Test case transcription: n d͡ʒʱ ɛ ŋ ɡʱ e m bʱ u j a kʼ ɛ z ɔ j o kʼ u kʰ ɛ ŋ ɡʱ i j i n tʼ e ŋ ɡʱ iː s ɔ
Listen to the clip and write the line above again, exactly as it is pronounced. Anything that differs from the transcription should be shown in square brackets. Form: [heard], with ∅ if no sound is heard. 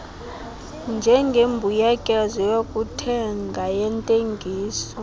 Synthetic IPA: n d͡ʒʱ ɛ ŋ ɡʱ e m bʱ u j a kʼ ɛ z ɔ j o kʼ u [tʰ] ɛ ŋ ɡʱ [a] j [ɛ] n tʼ e ŋ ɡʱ iː s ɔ